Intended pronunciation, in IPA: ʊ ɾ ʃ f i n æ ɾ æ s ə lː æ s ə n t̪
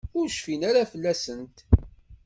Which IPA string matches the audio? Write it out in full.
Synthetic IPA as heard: ʊ ɾ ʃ f i n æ ɾ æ f ə lː æ s ə n t̪